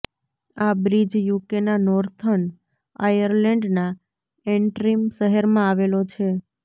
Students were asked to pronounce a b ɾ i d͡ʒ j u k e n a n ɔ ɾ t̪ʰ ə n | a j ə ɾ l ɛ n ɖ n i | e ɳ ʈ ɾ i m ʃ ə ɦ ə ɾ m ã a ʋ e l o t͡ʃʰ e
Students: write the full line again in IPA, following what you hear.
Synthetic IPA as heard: a b ɾ i d͡ʒ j u k e n a n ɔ ɾ t̪ʰ ə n | a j ə ɾ l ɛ ɳ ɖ n a | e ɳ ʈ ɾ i m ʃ ə ɦ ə ɾ m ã a ʋ e l o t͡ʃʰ e